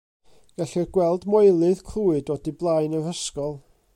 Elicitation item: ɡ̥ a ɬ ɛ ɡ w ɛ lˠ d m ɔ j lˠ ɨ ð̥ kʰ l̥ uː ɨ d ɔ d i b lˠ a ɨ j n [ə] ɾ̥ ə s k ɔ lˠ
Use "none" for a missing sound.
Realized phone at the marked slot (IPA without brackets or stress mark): ə